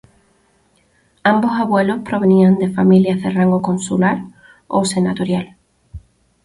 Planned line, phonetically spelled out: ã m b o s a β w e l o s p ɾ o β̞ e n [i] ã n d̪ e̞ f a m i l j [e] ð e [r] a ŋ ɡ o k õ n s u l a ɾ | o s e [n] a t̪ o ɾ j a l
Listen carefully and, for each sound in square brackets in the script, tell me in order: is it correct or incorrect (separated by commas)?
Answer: correct, incorrect, correct, correct